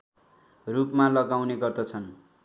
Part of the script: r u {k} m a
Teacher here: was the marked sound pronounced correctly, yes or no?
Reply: no